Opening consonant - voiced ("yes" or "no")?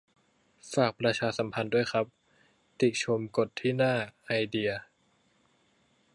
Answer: no